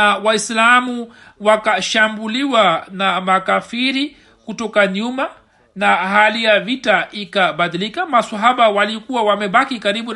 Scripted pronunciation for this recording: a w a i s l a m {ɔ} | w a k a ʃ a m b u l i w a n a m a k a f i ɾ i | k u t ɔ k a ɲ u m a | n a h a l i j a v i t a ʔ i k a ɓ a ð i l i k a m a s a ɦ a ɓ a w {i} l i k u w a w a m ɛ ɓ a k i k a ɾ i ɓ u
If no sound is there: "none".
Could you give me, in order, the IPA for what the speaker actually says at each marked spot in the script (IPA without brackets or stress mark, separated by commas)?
u, a